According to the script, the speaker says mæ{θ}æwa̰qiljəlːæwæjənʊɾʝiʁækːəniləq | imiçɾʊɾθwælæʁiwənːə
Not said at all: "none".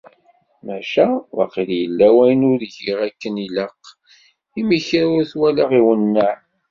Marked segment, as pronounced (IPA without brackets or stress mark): ʃ